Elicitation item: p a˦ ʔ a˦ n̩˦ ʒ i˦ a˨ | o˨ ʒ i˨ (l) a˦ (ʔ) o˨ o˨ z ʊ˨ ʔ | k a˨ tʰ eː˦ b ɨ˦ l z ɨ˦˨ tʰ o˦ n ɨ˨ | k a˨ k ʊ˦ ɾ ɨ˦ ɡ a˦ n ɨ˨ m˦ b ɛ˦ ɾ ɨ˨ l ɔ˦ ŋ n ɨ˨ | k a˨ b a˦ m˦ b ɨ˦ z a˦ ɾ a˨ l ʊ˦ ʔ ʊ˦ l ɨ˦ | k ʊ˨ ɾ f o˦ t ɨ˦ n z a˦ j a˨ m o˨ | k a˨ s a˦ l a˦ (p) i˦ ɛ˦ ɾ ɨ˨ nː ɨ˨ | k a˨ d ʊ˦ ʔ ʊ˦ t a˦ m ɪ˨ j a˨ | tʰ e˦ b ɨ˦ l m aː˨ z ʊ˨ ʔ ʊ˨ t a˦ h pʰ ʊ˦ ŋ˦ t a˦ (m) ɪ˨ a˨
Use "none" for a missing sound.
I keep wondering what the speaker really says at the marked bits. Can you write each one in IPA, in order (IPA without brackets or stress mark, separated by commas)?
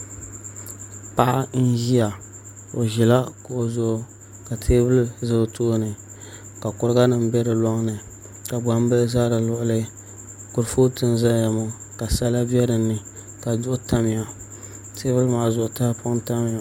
l, k, b, m